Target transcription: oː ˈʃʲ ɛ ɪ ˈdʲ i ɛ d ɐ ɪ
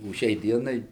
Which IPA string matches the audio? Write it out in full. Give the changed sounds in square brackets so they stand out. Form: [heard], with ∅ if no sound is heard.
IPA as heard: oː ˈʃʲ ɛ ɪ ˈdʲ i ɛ [n] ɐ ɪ

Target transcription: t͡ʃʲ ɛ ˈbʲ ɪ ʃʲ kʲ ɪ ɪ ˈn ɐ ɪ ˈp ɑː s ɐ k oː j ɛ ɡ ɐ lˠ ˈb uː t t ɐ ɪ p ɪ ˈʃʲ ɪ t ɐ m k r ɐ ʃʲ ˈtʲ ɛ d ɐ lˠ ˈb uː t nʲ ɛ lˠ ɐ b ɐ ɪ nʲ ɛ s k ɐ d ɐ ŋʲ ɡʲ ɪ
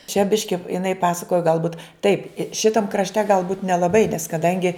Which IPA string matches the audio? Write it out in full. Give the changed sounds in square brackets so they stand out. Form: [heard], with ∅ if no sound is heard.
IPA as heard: t͡ʃʲ ɛ ˈbʲ ɪ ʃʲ kʲ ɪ ɪ ˈn ɐ ɪ ˈp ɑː s ɐ k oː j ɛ ɡ ɐ lˠ ˈb uː t t ɐ ɪ p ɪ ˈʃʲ ɪ t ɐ m k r ɐ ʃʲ ˈtʲ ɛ [ɡ] ɐ lˠ ˈb uː t nʲ ɛ lˠ ɐ b ɐ ɪ nʲ ɛ s k ɐ d ɐ ŋʲ ɡʲ ɪ

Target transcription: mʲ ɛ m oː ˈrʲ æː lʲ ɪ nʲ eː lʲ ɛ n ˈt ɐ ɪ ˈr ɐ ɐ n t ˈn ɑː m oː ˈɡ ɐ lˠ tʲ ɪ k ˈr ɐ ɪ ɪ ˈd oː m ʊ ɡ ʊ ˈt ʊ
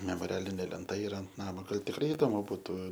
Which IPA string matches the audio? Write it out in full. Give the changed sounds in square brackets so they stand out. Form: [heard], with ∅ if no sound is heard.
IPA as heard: mʲ ɛ m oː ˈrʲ æː lʲ ɪ nʲ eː lʲ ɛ n ˈt ɐ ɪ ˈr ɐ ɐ n t ˈn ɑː m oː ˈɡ ɐ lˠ tʲ ɪ k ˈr ɐ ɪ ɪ ˈd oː m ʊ [b] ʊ ˈt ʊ

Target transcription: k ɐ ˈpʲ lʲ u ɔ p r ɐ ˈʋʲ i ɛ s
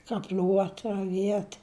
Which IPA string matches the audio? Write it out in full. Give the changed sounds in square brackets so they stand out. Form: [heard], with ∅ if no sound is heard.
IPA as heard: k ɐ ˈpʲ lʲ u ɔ [t] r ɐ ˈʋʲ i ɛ [t]

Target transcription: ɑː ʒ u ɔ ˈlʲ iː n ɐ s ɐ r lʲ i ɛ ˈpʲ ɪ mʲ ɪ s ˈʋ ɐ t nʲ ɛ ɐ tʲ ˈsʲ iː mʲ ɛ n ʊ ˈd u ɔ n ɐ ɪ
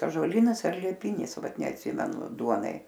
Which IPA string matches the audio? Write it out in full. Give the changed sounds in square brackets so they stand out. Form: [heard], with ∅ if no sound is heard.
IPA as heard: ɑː ʒ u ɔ ˈlʲ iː n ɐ s ɐ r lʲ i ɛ ˈpʲ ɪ [nʲ] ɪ s ˈʋ ɐ t nʲ ɛ ɐ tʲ ˈsʲ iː mʲ ɛ n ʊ ˈd u ɔ n ɐ ɪ

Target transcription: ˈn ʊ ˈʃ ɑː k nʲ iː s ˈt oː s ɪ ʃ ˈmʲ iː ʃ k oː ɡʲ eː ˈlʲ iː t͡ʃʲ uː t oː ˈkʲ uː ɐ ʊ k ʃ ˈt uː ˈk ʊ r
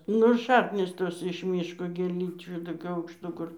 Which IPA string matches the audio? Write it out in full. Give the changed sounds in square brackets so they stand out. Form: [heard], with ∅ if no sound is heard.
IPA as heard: ˈn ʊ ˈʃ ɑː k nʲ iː s ˈt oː s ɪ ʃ ˈmʲ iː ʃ k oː ɡʲ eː ˈlʲ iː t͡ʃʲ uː t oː ˈkʲ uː ɐ ʊ k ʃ ˈt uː ˈk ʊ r

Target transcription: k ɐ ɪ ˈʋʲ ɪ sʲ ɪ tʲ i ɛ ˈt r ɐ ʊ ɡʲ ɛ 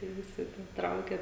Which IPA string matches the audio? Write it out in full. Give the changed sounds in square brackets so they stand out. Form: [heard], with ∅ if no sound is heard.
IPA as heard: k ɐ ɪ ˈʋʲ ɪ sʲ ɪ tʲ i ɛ ˈt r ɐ ʊ [kʲ] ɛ

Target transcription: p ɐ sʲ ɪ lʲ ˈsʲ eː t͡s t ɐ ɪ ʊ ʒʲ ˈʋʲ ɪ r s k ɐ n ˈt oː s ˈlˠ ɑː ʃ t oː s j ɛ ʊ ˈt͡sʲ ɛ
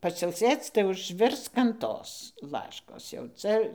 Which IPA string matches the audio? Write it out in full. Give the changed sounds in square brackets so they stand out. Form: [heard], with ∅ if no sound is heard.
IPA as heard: p ɐ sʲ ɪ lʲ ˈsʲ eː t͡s t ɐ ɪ ʊ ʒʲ ˈʋʲ ɪ r s k ɐ n ˈt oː s ˈlˠ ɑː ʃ [k] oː s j ɛ ʊ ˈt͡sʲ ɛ

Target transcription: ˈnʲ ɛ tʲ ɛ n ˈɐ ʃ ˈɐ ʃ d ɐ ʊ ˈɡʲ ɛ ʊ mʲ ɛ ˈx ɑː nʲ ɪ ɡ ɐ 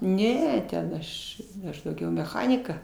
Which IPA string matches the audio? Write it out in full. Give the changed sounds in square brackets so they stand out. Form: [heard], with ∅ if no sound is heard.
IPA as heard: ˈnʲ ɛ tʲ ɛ n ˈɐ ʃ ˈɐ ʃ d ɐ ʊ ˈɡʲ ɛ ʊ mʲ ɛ ˈx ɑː nʲ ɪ [k] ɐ

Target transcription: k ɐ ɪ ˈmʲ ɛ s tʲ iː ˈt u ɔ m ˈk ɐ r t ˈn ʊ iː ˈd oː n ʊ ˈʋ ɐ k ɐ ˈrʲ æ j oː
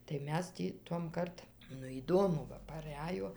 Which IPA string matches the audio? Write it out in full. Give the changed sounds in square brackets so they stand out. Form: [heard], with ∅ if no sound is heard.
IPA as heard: [t] ɐ ɪ ˈmʲ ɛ s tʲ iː ˈt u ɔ m ˈk ɐ r t ˈn ʊ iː ˈd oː [m] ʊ ˈʋ ɐ [p] ɐ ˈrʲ æ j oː

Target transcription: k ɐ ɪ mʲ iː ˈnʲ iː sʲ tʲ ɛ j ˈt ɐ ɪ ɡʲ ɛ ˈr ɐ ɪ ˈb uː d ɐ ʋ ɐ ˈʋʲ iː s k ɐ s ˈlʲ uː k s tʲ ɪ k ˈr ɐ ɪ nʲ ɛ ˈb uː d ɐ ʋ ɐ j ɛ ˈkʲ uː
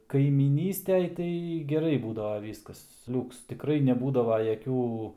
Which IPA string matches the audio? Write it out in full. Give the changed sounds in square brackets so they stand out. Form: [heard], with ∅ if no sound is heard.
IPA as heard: k ɐ ɪ mʲ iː ˈnʲ iː sʲ tʲ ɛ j ˈt ɐ ɪ ɡʲ ɛ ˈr ɐ ɪ ˈb uː d ɐ ʋ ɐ ˈʋʲ iː s k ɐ s ˈlʲ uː k s tʲ ɪ k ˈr ɐ ɪ nʲ ɛ ˈb uː d ɐ ʋ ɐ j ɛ ˈkʲ uː

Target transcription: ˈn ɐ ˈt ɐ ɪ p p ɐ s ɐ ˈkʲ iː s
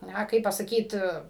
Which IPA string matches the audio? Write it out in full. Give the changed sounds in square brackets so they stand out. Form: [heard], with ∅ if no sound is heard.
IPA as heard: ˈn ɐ [ˈk] ɐ ɪ p p ɐ s ɐ ˈkʲ iː [t]

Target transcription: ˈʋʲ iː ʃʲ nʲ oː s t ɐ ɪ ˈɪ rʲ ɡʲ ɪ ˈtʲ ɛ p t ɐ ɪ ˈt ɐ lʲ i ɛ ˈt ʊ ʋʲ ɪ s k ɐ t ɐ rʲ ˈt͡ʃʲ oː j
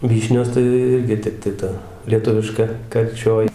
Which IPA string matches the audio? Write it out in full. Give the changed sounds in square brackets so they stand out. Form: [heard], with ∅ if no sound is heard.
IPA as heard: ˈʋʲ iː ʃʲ nʲ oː s t ɐ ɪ ˈɪ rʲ ɡʲ ɪ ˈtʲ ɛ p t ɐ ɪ ˈt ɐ lʲ i ɛ ˈt ʊ ʋʲ ɪ [ʃ] k ɐ [k] ɐ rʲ ˈt͡ʃʲ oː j

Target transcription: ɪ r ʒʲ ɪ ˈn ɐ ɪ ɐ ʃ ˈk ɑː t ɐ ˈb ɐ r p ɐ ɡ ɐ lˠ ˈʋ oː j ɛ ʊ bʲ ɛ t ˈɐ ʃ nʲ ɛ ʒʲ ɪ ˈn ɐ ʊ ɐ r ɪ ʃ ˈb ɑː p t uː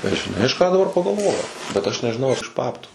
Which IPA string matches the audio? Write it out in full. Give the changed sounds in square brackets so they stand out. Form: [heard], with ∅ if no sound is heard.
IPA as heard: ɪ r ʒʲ ɪ ˈn ɐ ɪ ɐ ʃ ˈk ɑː [d] ɐ ˈb ɐ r p ɐ ɡ ɐ lˠ ˈʋ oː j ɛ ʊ bʲ ɛ t ˈɐ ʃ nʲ ɛ ʒʲ ɪ ˈn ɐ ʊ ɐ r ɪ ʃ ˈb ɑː p t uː

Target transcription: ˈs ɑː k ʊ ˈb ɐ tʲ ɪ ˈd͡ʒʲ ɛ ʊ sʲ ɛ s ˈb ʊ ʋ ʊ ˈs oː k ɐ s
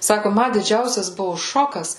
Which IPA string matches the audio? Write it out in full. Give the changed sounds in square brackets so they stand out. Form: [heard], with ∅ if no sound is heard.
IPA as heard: ˈs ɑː k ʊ [ˈm] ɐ [dʲ] ɪ ˈd͡ʒʲ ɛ ʊ sʲ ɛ s ˈb ʊ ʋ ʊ [ˈʃ] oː k ɐ s

